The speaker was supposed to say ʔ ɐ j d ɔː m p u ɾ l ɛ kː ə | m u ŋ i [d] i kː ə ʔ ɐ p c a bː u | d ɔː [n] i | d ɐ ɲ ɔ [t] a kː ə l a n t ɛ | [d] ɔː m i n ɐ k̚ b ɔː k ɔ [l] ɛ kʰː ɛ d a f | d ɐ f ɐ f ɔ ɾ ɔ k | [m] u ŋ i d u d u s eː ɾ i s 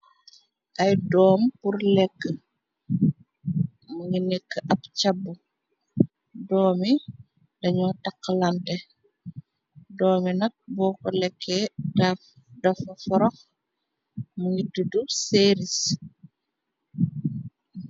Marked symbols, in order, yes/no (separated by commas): no, no, yes, yes, yes, yes